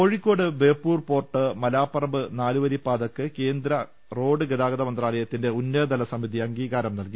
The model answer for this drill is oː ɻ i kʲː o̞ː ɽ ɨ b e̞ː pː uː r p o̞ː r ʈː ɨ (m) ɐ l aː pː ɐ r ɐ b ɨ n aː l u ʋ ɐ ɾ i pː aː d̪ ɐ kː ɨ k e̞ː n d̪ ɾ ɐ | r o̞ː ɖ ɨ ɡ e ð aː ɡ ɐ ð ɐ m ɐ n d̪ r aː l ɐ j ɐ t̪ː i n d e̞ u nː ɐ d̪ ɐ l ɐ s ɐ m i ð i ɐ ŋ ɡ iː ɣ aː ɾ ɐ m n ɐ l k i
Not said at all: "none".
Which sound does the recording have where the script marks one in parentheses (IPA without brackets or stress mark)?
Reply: m